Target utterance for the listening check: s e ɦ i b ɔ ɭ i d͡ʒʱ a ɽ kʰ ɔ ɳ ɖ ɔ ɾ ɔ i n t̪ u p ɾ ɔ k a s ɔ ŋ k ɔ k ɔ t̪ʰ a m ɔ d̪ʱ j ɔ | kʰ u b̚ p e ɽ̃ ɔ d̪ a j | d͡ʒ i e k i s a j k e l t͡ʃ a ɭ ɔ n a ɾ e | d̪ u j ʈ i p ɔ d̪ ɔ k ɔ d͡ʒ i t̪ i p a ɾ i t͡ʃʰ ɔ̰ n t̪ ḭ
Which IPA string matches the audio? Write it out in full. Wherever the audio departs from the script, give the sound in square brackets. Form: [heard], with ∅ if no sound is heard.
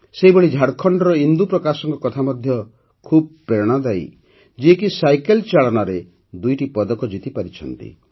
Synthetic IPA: s e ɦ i b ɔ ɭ i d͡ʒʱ a ɽ kʰ ɔ ɳ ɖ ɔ ɾ ɔ i n [d̪] u p ɾ ɔ k a s ɔ ŋ k ɔ k ɔ t̪ʰ a m ɔ d̪ʱ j ɔ | kʰ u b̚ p e ɽ̃ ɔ d̪ a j | d͡ʒ i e k i s a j k e l t͡ʃ a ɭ ɔ n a ɾ e | d̪ u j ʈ i p ɔ d̪ ɔ k ɔ d͡ʒ i t̪ i p a ɾ i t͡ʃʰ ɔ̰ n t̪ ḭ